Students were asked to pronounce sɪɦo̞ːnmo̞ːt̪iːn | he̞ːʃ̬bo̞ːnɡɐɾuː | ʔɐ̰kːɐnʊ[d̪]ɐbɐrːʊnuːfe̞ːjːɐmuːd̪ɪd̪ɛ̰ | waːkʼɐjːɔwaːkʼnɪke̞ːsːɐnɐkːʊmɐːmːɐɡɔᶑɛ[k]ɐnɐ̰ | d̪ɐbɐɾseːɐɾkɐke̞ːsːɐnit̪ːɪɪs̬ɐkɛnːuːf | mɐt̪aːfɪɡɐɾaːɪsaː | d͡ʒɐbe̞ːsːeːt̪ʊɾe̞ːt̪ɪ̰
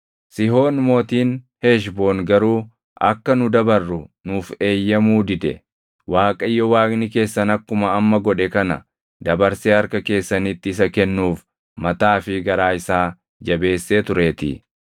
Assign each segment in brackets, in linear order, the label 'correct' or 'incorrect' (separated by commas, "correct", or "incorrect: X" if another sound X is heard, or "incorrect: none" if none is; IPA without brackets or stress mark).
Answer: correct, correct